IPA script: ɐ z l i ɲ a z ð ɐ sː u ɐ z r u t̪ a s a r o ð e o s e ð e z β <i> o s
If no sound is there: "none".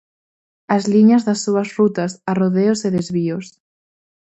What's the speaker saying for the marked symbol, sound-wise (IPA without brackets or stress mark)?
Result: i